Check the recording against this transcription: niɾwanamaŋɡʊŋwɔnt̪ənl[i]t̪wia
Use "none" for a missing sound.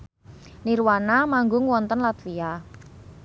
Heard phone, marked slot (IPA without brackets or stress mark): a